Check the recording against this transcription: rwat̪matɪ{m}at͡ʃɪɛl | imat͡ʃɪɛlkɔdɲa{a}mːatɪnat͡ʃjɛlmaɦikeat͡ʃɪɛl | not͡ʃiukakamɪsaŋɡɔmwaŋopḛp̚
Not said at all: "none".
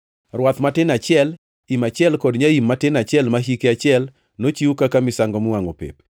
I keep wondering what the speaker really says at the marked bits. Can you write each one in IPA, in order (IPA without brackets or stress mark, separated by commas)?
n, i